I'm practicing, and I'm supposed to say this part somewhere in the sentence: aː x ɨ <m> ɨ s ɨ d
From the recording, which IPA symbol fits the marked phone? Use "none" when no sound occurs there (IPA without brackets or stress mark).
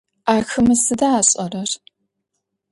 m